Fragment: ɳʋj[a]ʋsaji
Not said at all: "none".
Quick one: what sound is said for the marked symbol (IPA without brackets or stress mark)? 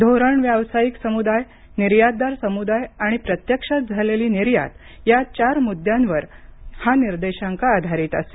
a